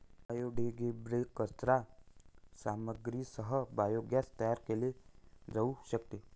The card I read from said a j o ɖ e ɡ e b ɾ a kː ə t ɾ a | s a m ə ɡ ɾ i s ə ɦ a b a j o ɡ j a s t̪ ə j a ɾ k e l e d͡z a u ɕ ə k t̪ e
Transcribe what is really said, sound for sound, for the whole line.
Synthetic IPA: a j o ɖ e ɡ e b ɾ e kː ə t ɾ a | s a m ə ɡ ɾ i s ə ɦ ə b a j o ɡ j a s t̪ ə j a ɾ k e l e d͡z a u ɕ ə k t̪ e